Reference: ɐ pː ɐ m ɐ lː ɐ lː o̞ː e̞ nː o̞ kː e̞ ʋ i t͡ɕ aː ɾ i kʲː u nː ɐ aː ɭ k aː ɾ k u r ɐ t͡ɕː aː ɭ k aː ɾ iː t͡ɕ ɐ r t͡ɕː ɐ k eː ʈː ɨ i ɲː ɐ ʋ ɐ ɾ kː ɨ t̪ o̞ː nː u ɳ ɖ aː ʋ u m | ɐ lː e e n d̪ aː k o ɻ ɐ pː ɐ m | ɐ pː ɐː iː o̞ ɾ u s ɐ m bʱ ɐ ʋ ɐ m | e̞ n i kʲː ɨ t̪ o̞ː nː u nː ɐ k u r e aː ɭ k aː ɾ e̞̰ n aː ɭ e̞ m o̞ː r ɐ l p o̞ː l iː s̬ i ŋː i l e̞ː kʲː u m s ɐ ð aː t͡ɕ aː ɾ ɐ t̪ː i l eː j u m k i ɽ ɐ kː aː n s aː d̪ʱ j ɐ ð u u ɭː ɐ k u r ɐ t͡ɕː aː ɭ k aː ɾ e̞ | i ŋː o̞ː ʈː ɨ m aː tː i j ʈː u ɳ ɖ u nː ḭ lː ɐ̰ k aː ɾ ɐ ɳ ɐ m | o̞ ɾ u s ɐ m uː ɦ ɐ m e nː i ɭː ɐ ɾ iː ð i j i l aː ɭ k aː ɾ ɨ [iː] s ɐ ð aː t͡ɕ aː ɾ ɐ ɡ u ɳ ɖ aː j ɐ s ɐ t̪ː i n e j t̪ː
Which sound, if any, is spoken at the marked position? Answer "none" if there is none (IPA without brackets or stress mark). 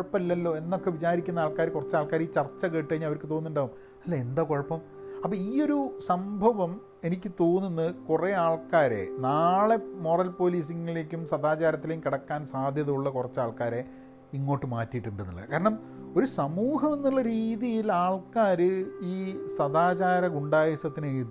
iː